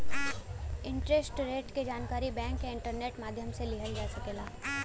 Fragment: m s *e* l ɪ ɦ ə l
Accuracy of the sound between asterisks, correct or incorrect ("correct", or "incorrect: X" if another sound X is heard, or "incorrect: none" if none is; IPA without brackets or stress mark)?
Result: correct